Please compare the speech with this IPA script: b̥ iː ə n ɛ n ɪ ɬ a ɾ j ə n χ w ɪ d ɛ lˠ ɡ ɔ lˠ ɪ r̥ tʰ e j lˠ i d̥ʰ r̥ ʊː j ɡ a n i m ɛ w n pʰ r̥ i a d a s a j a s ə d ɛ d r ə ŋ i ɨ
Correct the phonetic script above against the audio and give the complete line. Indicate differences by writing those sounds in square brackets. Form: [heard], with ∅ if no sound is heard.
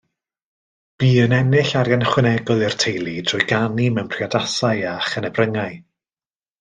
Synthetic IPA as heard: b̥ iː ə n ɛ n ɪ ɬ a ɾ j [a] n χ w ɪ [n] ɛ [∅] ɡ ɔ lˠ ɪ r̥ tʰ e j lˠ i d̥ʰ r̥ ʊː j ɡ a n i m ɛ w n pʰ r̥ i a d a s a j a [χ] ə [n] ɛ [b] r ə ŋ [a] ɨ